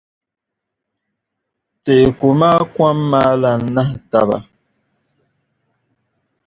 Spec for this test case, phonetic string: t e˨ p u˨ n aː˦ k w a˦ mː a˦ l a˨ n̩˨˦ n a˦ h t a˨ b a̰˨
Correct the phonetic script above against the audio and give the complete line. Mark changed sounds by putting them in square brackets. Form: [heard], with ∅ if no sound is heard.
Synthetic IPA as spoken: t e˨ [k] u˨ [m] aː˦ k w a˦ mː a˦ l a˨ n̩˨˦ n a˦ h t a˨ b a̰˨